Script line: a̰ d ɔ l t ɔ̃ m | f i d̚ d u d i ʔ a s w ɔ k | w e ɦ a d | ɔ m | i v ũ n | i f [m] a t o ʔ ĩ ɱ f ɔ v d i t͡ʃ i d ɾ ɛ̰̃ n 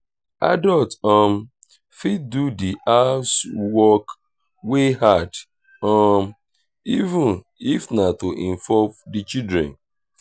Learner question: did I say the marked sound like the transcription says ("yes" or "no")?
no